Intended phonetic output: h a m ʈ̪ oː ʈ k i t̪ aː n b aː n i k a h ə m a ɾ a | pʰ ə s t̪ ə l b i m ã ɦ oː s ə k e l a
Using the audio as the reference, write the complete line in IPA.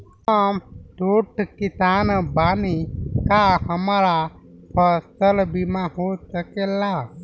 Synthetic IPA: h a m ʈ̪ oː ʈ k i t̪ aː n b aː n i k a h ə m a ɾ a | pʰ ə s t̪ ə l b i m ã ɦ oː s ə k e l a